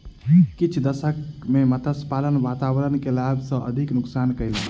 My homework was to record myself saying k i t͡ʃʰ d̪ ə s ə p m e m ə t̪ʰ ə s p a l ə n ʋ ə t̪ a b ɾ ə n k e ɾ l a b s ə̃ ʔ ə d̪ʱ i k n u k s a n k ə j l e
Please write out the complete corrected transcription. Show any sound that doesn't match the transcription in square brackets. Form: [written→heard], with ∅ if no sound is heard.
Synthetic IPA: k i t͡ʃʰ d̪ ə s ə [p→k] m e m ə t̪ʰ ə s p a l ə n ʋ [ə→a] t̪ a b ɾ ə n k e [ɾ→∅] l a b s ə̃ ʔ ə d̪ʱ i k n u k s a n k ə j l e